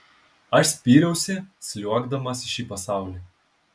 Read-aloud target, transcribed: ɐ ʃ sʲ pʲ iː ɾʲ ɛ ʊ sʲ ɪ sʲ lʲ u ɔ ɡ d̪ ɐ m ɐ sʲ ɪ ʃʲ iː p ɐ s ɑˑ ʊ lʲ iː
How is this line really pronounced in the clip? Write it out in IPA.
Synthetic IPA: ɐ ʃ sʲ pʲ iː ɾʲ ɛ ʊ sʲ ɪ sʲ lʲ u ɔ ɡ d̪ ɐ m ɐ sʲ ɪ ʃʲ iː p ɐ s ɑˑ ʊ lʲ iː